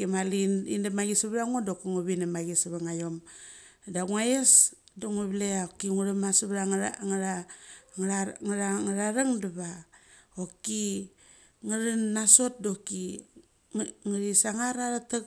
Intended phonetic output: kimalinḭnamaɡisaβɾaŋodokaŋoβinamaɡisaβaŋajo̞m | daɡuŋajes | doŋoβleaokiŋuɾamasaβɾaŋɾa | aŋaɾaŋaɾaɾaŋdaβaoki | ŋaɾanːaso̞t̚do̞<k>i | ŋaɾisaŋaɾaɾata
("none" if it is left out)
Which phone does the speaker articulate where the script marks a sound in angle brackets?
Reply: k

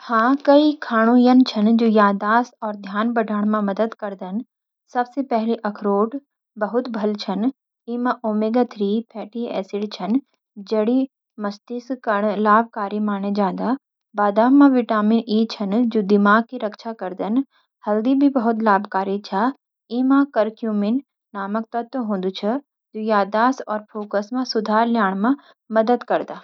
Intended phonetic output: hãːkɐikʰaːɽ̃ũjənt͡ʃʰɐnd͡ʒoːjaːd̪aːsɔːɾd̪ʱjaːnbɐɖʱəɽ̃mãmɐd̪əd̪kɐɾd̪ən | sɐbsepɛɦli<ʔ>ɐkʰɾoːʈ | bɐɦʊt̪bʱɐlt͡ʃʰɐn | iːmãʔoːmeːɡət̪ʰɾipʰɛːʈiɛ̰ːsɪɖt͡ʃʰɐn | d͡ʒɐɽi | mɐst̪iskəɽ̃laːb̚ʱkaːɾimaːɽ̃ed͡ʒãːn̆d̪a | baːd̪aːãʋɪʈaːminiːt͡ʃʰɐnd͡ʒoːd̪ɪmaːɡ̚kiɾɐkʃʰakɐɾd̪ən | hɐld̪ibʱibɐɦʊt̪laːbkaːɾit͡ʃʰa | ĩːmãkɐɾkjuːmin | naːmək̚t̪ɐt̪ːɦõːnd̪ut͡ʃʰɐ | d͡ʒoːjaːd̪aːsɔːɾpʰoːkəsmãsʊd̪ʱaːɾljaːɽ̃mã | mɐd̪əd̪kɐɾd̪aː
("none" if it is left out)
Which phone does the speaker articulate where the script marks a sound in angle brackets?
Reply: ʔ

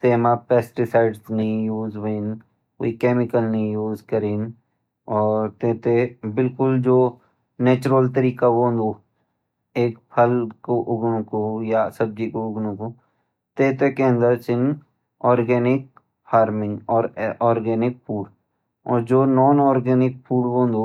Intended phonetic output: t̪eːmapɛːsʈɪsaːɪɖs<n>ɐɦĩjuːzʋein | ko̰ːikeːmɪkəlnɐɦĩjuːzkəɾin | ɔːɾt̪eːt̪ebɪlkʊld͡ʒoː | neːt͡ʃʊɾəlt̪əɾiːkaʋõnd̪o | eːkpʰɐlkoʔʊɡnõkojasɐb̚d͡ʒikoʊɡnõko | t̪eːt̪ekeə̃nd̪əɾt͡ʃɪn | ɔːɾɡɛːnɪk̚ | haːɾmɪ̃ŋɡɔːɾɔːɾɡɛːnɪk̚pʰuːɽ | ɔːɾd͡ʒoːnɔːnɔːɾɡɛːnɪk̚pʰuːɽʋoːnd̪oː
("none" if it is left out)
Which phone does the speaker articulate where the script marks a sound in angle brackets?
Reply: n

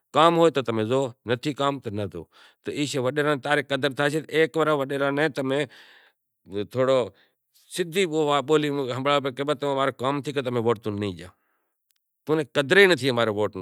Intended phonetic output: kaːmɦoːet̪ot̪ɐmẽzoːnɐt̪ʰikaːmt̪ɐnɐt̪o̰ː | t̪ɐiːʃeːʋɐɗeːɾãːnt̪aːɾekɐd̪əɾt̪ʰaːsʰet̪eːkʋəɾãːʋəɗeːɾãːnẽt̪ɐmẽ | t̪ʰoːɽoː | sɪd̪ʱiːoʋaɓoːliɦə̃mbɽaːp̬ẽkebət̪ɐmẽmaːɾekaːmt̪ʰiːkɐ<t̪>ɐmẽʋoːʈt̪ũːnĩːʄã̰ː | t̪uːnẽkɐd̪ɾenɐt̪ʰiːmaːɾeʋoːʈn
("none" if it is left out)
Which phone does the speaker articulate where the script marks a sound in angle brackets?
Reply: t̪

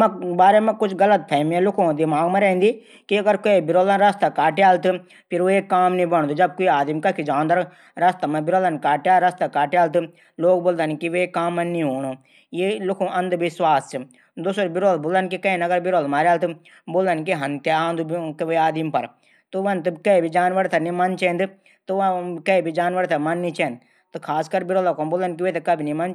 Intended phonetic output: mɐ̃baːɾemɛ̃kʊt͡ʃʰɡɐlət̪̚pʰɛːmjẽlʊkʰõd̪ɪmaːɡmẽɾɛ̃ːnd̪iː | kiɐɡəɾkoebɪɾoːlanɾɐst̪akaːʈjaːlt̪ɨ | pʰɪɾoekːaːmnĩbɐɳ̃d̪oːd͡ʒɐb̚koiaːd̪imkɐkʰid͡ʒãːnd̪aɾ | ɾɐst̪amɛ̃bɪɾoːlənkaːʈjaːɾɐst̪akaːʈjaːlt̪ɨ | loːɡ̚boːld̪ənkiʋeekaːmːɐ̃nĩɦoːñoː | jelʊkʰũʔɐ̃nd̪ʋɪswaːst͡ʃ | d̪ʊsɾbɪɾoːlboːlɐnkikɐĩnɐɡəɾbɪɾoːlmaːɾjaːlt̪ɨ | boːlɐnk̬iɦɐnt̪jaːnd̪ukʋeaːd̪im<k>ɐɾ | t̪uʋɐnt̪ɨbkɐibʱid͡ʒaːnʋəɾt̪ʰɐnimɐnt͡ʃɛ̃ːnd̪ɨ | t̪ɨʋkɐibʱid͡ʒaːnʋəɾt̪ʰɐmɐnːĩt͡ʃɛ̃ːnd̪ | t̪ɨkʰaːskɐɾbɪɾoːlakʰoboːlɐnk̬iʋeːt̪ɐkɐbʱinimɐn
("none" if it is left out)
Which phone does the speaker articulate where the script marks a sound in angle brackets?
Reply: p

